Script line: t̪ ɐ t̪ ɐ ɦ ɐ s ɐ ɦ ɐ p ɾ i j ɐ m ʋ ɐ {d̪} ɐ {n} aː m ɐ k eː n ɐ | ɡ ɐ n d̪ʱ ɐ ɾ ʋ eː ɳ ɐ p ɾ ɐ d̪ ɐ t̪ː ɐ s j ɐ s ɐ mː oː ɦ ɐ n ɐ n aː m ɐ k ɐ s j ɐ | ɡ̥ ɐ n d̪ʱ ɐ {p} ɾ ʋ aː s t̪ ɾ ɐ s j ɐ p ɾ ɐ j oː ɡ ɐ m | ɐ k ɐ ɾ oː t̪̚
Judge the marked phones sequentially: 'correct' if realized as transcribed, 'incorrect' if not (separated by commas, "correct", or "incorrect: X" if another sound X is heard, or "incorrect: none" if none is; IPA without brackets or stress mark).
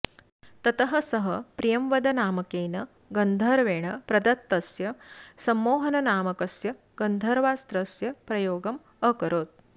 correct, correct, incorrect: none